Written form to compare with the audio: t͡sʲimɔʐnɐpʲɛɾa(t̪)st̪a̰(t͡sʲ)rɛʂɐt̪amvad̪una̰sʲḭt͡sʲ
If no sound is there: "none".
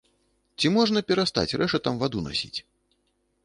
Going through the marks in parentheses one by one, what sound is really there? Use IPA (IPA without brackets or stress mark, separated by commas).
none, t͡sʲ